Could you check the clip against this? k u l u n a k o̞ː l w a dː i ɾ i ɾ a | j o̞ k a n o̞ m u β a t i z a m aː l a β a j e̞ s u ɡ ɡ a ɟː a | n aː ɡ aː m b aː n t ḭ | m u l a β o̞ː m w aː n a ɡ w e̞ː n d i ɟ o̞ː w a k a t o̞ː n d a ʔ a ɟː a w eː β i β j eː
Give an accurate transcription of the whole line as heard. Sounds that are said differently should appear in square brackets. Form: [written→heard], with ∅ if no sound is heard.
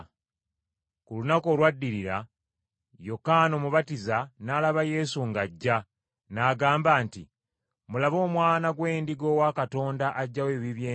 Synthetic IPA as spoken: k u l u n a k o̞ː l w a dː i ɾ i ɾ a | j o̞ k a n o̞ m u β a t i z a [m→n] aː l a β a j e̞ s u [ɡ→ŋ] ɡ a ɟː a | n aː ɡ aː m b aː n t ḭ | m u l a β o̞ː m w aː n a ɡ w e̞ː n d i [ɟ→ɡ] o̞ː w a k a t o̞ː n d a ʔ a ɟː a w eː β i β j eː